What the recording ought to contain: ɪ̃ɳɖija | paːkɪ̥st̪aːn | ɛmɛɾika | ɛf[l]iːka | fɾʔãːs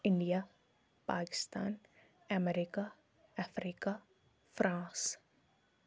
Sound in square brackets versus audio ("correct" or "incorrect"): incorrect